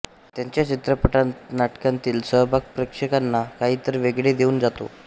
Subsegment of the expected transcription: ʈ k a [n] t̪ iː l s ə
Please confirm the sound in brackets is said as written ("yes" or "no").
yes